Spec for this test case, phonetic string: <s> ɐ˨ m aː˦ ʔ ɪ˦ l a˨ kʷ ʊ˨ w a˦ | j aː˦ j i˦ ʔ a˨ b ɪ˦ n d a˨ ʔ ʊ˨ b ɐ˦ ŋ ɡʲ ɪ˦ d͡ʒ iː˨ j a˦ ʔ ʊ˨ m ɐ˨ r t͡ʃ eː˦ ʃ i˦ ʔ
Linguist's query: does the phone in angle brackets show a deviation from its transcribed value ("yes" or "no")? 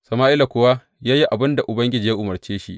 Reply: no